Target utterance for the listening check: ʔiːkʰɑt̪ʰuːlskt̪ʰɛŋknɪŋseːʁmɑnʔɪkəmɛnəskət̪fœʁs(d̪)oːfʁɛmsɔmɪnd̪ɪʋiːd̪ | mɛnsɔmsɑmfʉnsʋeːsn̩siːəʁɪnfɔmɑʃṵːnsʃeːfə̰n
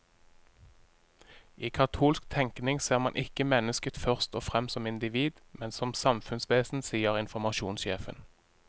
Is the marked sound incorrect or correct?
incorrect